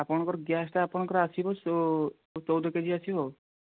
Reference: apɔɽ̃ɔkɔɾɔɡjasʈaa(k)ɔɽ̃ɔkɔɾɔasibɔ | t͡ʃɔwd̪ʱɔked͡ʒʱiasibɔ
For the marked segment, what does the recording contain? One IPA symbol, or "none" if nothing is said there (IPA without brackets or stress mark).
p